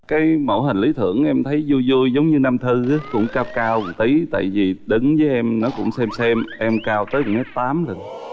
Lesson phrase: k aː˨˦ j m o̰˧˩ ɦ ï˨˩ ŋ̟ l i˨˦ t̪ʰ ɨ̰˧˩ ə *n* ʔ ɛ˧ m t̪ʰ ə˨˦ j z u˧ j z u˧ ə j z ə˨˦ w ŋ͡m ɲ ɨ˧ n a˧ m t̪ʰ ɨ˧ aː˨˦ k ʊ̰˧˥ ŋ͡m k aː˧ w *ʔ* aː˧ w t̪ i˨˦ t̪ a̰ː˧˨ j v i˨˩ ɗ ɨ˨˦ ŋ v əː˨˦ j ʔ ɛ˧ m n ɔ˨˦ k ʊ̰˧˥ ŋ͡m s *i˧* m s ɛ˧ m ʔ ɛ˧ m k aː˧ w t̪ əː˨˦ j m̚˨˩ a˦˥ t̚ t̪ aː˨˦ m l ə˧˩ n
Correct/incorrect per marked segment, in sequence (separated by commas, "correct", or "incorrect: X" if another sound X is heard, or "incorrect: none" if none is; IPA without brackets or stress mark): incorrect: ŋ, incorrect: k, incorrect: ɛ˧